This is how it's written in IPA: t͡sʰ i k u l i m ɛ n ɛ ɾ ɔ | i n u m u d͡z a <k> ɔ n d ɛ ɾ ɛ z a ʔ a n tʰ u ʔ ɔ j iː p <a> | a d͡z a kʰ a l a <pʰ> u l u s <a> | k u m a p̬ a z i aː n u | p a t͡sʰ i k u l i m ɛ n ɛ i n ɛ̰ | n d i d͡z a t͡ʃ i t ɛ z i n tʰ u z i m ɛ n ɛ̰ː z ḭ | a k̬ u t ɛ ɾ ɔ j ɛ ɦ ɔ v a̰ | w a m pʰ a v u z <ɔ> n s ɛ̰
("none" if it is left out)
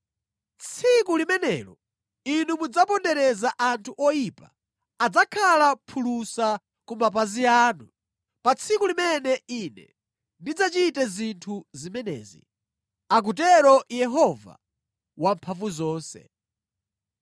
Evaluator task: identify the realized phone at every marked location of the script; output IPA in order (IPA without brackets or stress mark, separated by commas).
p, a, pʰ, a, ɔː